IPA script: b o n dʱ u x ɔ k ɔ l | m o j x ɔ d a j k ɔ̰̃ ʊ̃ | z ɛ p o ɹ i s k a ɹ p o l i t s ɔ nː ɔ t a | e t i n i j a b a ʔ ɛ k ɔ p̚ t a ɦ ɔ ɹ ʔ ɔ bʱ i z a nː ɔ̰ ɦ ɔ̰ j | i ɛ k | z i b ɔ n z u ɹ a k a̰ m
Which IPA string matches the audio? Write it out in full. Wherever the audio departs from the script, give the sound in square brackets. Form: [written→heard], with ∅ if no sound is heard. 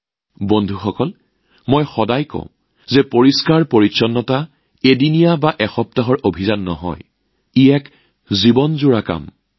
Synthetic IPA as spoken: b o n dʱ u x ɔ k ɔ l | m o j x ɔ d a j k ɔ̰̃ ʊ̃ | z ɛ p o ɹ i s k a ɹ p o [l→ɹ] i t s ɔ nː ɔ t a | e [t→d] i n i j a b a ʔ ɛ [k→x] ɔ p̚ t a ɦ ɔ ɹ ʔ [ɔ→o] bʱ i z a nː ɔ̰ ɦ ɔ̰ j | i ɛ k | z i b ɔ n z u ɹ a k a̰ m